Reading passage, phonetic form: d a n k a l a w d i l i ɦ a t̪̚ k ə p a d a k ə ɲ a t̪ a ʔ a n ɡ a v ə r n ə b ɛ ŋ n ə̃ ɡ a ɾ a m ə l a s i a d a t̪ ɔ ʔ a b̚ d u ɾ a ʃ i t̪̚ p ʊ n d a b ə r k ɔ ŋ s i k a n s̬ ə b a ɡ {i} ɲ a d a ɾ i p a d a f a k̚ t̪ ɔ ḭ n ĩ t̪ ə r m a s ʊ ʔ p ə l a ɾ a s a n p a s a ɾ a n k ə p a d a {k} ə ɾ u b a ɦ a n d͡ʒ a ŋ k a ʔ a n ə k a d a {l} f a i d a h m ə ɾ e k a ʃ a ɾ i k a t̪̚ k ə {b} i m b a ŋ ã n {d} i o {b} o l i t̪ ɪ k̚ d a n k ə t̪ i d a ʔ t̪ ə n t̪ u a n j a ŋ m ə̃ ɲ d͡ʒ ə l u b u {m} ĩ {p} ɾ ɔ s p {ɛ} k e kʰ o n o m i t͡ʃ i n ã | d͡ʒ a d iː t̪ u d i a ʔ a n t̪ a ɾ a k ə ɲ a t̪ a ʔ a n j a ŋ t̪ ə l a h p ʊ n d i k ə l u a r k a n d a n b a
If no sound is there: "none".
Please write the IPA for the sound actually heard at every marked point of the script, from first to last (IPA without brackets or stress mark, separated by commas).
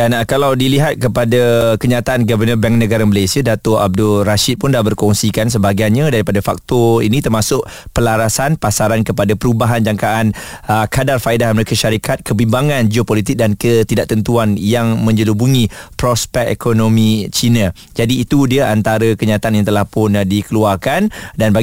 a, p, r, b, d͡ʒ, p, ŋ, p, ɛ